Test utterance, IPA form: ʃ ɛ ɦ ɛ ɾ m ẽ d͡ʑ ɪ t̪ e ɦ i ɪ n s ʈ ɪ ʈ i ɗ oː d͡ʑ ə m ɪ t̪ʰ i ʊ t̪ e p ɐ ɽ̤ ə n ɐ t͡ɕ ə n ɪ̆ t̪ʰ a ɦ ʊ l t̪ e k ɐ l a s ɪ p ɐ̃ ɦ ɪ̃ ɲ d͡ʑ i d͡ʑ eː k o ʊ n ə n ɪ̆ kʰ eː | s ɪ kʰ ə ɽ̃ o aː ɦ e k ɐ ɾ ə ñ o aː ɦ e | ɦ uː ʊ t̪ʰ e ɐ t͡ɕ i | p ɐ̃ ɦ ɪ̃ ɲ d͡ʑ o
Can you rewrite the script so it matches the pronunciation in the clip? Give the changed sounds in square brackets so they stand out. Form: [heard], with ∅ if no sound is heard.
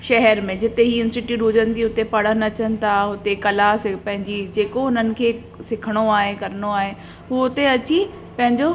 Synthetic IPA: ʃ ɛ ɦ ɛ ɾ m ẽ d͡ʑ ɪ t̪ e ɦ i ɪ n s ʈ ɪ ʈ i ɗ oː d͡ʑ ə [n] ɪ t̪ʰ i ʊ t̪ e p ɐ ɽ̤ ə n ɐ t͡ɕ ə n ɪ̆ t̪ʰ a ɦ ʊ [∅] t̪ e k ɐ l a s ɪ p ɐ̃ ɦ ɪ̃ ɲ d͡ʑ i d͡ʑ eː k o ʊ n ə n ɪ̆ kʰ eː | s ɪ kʰ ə ɽ̃ o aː ɦ e k ɐ ɾ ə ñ o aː ɦ e | ɦ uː ʊ [t̪] e ɐ t͡ɕ i | p ɐ̃ ɦ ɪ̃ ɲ d͡ʑ o